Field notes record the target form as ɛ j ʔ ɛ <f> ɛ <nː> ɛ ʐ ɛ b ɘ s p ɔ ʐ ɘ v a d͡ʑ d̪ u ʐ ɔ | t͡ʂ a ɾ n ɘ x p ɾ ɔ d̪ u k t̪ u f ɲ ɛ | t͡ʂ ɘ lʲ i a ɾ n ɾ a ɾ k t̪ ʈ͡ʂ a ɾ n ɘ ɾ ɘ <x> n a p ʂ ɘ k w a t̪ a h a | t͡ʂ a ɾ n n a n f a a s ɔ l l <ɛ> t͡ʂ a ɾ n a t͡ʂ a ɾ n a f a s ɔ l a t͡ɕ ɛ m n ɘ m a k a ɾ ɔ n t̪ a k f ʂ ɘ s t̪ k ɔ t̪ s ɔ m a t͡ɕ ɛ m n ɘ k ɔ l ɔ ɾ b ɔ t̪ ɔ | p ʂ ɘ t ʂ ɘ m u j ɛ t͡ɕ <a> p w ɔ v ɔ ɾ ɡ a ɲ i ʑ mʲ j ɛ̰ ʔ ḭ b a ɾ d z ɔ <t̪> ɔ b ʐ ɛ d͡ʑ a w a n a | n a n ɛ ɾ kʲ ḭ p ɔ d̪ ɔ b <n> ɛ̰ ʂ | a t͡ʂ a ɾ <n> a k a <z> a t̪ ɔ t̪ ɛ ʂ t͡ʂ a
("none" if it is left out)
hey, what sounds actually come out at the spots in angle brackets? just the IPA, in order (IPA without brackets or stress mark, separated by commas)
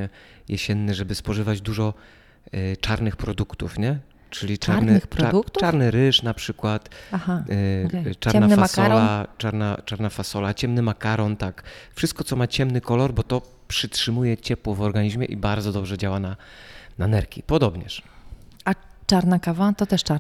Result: ɕ, nː, ʂ, a, ɛ, d̪, ɲ, n, v